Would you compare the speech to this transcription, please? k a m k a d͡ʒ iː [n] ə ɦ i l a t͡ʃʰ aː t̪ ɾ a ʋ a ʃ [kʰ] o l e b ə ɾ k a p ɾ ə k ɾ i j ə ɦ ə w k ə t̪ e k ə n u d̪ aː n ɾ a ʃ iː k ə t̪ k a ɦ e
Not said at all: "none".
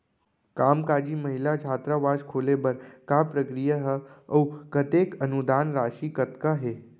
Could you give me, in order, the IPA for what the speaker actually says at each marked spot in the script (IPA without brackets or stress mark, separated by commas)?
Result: m, kʰ